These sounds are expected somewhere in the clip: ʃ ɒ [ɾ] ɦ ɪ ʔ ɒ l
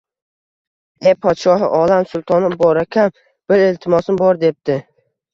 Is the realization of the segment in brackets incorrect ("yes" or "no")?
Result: yes